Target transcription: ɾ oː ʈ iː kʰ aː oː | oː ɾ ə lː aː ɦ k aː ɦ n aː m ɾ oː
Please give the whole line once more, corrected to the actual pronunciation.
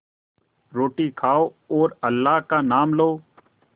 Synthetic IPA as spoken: ɾ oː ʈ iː kʰ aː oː | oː ɾ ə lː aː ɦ k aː n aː m l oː